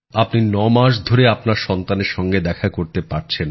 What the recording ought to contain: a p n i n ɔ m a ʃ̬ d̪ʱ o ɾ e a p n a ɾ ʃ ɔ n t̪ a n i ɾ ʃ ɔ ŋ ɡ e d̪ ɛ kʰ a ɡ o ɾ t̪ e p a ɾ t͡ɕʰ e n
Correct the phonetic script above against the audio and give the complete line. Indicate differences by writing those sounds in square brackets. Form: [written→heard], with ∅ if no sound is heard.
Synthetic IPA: a p n i n ɔ m a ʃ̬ d̪ʱ o ɾ e a p n a ɾ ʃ ɔ n t̪ a n [i→e] ɾ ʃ ɔ ŋ ɡ e d̪ ɛ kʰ a [ɡ→k] o ɾ t̪ e p a ɾ t͡ɕʰ e n